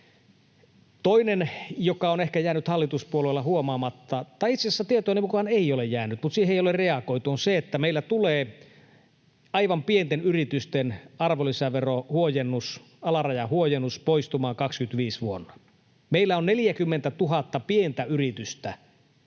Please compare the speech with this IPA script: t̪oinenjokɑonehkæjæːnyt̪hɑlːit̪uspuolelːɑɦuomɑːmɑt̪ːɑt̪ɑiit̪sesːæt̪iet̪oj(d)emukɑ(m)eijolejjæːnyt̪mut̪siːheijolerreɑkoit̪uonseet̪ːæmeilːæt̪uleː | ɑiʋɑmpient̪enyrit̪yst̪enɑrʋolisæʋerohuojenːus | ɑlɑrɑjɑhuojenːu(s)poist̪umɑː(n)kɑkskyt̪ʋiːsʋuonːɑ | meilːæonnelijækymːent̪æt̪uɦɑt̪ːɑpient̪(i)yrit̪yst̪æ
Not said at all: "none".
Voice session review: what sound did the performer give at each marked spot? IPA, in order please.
n, n, s, ŋ, æ

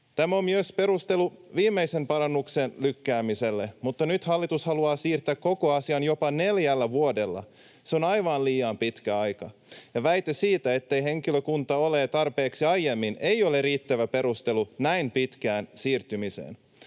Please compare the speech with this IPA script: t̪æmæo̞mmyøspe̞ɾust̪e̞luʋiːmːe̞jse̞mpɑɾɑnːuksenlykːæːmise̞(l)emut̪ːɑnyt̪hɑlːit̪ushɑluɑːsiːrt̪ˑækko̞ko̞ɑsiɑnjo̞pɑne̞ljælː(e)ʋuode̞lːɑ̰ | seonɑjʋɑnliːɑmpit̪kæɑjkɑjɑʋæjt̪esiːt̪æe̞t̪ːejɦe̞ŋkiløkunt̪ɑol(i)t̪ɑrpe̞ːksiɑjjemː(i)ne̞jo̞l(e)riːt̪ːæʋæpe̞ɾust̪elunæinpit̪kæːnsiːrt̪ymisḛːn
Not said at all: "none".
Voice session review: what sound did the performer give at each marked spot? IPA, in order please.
lː, æ, e, i, e

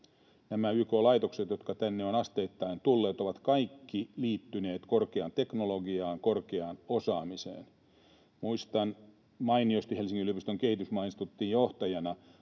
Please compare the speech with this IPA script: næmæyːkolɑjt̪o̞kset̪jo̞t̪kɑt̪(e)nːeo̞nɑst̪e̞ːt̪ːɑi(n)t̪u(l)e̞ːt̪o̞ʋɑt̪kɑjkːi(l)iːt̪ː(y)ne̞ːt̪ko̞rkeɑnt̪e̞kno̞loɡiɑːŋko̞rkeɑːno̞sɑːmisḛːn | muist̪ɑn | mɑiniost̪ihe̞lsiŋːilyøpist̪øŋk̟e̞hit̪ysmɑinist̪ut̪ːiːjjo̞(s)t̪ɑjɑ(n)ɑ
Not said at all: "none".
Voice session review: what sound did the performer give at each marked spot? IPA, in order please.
æ, n, lː, l, y, h, n

